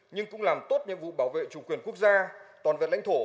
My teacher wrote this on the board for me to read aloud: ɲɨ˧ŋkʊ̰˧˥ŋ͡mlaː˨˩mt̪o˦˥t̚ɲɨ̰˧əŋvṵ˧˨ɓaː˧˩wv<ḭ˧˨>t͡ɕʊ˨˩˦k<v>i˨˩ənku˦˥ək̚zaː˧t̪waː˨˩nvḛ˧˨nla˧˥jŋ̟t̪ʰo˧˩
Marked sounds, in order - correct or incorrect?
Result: incorrect: ḛ˧˨, incorrect: w

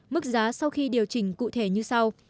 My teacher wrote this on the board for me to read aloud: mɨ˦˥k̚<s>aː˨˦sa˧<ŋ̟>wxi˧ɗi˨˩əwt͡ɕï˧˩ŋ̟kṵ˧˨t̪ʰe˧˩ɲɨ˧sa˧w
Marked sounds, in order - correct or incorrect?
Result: incorrect: z, incorrect: none

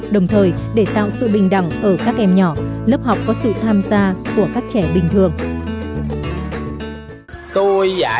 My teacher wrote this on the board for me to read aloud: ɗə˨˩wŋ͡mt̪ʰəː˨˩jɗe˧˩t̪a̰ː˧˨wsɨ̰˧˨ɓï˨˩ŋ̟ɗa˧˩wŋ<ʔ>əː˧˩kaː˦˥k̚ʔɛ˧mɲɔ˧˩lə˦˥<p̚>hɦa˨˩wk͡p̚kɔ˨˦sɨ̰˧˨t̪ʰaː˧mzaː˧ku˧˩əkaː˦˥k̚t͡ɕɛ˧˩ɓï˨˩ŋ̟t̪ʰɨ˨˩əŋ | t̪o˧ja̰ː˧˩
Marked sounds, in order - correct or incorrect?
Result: correct, correct

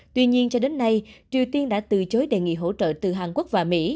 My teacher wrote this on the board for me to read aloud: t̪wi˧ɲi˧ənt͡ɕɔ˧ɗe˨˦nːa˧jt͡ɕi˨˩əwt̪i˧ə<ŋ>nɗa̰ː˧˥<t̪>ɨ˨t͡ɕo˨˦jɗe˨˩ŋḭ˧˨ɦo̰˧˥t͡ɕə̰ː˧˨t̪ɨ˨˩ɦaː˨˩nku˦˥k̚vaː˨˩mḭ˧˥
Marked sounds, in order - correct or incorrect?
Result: incorrect: none, correct

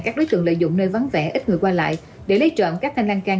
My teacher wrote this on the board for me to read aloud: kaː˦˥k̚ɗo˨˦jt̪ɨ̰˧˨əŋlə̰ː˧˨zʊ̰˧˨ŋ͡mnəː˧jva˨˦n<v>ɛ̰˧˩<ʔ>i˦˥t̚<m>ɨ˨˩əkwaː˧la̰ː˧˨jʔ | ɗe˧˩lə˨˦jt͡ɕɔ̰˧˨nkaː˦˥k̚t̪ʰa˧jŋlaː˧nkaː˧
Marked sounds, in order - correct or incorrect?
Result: correct, correct, incorrect: ŋ

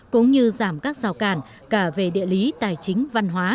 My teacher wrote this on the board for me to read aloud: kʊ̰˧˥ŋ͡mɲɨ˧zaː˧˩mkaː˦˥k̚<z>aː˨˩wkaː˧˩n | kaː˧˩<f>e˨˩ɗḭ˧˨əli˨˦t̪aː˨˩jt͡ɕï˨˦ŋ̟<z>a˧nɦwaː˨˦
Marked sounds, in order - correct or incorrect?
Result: correct, incorrect: v, incorrect: v

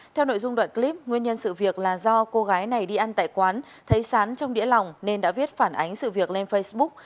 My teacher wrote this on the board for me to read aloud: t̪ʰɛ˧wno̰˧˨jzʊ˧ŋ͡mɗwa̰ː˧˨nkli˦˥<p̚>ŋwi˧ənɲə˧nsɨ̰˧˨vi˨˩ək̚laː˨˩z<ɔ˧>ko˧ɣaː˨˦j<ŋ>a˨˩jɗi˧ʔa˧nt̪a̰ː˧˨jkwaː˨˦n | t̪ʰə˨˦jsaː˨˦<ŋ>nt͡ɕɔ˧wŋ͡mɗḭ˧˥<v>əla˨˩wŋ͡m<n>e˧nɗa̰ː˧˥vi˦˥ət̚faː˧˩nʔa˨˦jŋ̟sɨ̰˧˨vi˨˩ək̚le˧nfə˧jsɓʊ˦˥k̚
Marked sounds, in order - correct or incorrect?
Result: correct, correct, incorrect: n, incorrect: none, incorrect: none, correct

